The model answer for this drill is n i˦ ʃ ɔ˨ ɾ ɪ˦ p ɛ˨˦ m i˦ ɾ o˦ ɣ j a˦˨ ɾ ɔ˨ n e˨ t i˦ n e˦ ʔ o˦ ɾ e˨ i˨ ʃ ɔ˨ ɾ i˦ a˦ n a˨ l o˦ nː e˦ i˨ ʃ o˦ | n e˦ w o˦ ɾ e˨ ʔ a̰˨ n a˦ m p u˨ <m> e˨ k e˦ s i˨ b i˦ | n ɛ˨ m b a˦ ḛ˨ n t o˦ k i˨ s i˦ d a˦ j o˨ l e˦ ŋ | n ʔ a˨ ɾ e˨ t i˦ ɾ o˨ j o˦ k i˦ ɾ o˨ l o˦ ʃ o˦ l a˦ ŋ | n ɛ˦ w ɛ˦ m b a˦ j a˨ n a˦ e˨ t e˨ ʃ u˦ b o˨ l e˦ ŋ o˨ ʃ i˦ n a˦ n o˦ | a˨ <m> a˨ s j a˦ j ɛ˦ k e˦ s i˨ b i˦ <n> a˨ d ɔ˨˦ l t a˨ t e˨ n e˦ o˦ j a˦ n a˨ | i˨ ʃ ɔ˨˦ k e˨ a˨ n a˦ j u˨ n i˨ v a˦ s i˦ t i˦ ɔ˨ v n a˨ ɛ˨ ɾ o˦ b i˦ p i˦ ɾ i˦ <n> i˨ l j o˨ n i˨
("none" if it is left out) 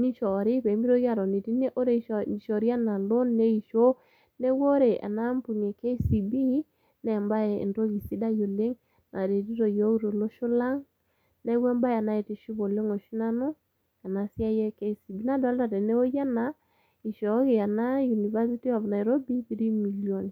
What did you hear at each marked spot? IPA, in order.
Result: n, n, n, m

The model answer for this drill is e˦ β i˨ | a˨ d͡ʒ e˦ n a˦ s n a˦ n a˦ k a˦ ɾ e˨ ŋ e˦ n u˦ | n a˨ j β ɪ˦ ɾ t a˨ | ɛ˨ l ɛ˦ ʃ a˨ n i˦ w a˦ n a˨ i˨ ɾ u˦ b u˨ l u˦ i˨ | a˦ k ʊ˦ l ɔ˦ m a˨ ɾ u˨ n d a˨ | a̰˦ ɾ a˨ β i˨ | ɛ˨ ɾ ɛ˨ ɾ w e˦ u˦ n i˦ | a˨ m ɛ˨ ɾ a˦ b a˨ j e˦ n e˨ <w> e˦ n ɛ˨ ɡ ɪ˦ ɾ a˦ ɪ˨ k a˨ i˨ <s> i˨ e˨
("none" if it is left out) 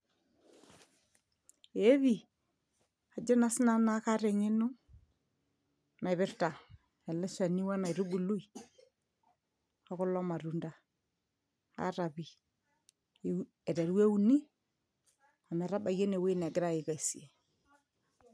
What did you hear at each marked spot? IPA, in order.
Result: w, s

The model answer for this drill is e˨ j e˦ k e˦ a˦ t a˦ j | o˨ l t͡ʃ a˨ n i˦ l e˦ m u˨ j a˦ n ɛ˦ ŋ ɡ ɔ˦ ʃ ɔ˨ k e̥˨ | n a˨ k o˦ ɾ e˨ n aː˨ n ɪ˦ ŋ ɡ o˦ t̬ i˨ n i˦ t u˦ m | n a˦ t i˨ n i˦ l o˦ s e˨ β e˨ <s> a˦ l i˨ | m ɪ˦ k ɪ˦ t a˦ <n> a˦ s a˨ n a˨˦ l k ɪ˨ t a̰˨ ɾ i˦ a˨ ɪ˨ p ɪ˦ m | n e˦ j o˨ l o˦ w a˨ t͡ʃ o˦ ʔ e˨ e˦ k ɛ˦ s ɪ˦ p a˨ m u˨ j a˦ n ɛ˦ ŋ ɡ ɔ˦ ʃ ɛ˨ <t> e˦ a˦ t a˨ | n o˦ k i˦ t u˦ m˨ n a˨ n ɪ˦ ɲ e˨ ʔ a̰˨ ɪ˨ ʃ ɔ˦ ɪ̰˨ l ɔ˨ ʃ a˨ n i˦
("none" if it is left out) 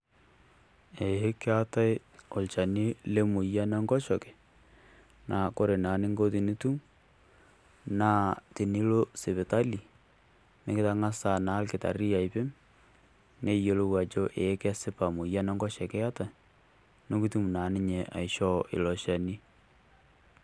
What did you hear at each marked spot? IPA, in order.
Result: t, ŋ, k

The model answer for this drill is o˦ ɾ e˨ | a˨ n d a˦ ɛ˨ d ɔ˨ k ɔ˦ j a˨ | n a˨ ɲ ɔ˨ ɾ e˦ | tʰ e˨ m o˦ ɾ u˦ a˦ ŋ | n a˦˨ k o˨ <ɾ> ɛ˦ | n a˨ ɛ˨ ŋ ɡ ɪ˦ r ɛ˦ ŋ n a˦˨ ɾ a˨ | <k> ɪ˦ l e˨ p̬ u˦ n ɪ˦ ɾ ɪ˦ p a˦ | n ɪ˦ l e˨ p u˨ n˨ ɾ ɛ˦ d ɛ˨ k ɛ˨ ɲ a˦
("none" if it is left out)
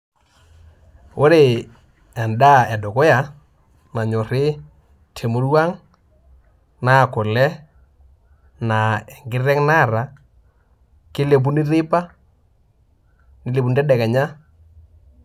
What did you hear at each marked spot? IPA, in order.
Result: l, k

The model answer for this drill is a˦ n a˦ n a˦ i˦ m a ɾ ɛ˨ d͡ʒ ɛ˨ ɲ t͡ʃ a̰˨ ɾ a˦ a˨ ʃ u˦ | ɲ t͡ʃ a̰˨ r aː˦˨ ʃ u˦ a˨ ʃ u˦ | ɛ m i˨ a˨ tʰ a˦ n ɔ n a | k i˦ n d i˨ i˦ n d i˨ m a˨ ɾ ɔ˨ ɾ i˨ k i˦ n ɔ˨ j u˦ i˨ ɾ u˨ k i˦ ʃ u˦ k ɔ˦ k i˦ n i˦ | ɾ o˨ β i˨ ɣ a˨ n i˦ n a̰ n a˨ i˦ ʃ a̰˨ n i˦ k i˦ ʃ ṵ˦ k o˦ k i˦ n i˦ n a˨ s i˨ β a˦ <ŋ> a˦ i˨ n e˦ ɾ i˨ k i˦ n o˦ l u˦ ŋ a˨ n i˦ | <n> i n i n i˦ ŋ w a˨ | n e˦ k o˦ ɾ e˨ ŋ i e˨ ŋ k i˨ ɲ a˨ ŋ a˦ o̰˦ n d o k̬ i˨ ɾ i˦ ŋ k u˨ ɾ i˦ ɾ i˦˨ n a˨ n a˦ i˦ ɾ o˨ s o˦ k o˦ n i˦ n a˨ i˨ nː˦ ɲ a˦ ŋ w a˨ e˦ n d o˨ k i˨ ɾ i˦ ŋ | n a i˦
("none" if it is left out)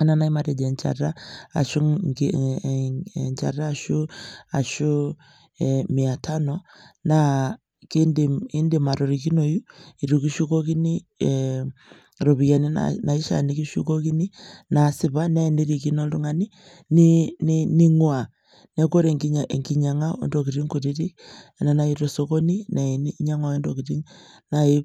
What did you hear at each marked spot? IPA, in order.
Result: n, n

